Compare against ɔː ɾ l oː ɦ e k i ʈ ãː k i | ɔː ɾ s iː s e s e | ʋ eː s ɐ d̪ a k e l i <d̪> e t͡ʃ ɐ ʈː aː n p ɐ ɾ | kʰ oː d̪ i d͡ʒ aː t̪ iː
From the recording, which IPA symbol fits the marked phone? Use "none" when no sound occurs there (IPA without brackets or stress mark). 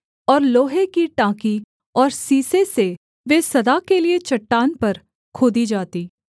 none